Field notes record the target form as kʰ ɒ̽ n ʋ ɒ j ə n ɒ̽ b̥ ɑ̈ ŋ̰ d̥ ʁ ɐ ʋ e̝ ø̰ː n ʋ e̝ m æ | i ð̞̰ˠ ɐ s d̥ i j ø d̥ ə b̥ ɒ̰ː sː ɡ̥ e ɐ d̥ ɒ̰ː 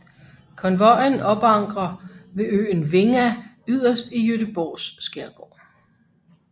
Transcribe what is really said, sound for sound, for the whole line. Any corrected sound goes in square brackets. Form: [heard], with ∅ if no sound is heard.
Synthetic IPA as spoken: kʰ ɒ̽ n ʋ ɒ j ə n ɒ̽ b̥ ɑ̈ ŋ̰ [ɡ̥] ʁ ɐ ʋ e̝ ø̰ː n ʋ e̝ [ŋ] æ | [y] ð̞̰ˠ ɐ s d̥ i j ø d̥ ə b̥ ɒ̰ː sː ɡ̥ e ɐ [ɡ̥] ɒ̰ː